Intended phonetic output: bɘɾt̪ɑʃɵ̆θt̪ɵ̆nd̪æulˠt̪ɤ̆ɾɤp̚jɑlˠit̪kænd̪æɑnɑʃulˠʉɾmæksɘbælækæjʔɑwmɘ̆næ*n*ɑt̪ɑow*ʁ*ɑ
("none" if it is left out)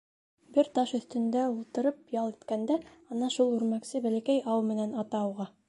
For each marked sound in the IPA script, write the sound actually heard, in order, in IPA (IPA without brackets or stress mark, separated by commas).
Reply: n, ʁ